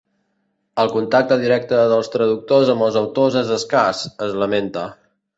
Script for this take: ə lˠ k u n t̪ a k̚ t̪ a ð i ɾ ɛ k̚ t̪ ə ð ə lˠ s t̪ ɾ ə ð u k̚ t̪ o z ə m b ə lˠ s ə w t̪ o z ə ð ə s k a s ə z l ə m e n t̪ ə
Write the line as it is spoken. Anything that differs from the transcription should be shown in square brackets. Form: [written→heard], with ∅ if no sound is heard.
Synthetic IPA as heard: ə lˠ k u n t̪ a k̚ t̪ [a→ə] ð i ɾ ɛ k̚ t̪ ə ð ə lˠ s t̪ ɾ ə ð u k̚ t̪ o z ə m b ə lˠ [s→z] ə w t̪ o z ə [ð→z] ə s k a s ə z l ə m e n t̪ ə